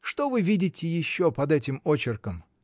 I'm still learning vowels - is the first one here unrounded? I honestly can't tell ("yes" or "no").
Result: no